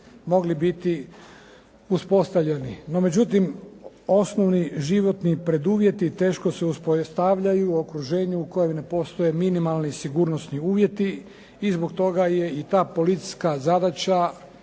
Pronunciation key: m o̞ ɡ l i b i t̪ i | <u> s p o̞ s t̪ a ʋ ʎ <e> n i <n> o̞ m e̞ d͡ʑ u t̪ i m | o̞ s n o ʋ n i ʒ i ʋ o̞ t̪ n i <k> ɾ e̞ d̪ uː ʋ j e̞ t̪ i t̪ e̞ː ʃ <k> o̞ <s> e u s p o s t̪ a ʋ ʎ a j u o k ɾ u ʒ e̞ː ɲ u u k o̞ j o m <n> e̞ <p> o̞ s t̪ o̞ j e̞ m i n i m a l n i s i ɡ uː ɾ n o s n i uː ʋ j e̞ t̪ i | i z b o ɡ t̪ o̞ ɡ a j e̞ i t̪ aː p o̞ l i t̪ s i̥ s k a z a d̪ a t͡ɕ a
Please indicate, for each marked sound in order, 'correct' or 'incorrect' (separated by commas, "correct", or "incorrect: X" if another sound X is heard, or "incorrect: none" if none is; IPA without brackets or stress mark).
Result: correct, correct, correct, incorrect: p, correct, correct, correct, correct